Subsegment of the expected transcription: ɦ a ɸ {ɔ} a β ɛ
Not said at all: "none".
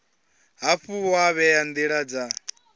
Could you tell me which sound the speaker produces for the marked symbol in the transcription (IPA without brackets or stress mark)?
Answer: u